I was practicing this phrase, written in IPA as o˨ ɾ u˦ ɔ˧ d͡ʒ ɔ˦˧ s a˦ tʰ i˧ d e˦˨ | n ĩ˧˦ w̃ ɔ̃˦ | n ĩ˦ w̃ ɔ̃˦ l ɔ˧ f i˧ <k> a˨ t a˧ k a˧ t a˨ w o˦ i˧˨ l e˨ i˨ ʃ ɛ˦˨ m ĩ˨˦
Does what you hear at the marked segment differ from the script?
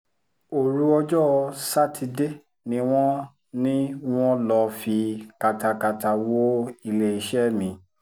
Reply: no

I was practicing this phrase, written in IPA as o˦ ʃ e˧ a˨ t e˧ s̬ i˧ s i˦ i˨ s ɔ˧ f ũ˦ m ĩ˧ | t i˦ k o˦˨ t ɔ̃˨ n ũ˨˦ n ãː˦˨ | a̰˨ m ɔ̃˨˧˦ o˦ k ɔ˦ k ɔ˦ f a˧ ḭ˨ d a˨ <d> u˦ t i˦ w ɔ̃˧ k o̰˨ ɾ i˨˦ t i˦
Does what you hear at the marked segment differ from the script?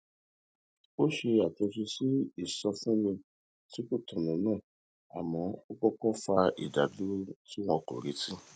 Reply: no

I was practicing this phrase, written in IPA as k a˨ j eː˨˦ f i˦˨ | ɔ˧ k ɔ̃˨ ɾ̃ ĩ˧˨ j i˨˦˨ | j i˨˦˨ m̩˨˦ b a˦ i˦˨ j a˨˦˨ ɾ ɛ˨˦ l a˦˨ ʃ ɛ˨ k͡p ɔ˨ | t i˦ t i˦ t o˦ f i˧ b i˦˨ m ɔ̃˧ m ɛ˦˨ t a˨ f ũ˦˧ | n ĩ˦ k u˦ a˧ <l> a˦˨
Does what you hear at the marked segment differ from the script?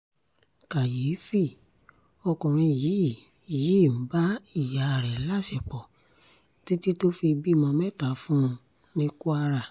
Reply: yes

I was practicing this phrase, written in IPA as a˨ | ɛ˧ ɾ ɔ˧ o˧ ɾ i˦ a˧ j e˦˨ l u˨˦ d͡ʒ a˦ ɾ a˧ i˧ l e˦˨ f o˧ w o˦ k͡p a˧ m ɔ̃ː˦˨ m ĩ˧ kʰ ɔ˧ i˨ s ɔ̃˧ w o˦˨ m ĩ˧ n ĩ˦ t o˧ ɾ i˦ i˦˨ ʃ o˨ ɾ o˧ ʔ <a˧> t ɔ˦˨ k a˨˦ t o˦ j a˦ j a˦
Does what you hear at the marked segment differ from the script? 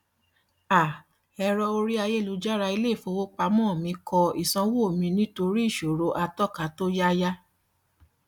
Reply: no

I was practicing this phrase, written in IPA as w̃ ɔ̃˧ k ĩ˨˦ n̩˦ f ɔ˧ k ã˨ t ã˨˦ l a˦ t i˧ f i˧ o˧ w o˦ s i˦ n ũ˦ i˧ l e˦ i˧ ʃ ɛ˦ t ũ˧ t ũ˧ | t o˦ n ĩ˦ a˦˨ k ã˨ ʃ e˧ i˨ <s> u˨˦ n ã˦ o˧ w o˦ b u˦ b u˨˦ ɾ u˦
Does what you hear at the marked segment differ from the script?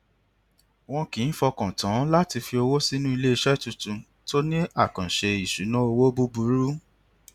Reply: yes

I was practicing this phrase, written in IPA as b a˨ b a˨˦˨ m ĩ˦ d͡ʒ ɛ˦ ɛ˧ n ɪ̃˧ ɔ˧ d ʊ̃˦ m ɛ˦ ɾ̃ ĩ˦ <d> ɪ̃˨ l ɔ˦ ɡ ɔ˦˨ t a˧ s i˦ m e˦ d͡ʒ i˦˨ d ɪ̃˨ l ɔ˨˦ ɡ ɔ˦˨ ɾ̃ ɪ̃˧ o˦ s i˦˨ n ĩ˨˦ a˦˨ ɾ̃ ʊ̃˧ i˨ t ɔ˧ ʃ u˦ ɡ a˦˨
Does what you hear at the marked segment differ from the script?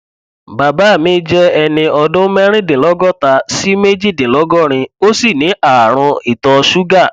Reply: no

